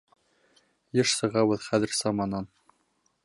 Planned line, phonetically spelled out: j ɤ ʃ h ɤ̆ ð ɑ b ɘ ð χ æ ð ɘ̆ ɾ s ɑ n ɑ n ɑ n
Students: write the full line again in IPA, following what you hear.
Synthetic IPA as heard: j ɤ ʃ s ɤ̆ ʁ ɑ w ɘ ð χ æ ð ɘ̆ ɾ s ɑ m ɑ n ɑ n

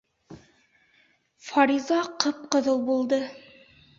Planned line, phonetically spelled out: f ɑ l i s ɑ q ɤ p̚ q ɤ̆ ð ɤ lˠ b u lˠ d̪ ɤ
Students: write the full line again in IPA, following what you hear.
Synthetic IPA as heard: f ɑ ɾ i z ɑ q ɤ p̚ q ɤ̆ ð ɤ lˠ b u lˠ d̪ ɤ

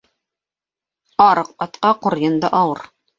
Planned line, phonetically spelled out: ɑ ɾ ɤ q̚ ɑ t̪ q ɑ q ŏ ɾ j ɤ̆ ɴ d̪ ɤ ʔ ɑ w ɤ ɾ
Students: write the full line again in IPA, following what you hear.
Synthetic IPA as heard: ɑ ɾ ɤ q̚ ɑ t̪ q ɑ q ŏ ɾ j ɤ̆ n d̪ ɤ ʔ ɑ w ɤ ɾ

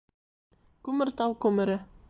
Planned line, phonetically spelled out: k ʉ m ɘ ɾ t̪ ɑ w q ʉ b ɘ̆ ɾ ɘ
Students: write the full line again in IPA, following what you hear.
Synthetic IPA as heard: k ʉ m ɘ ɾ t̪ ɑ w k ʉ m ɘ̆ ɾ ɘ

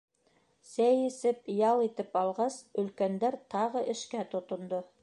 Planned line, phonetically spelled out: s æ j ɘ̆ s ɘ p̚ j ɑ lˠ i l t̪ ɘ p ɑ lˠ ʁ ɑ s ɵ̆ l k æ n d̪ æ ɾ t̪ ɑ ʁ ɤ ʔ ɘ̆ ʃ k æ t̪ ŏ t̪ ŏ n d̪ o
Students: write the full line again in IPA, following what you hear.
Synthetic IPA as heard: s æ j ɘ̆ s ɘ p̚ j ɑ lˠ i t̪ ɘ p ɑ lˠ ʁ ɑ s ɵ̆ l k æ n d̪ æ ɾ t̪ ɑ ʁ ɤ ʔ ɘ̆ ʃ k æ t̪ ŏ t̪ ŏ n d̪ o

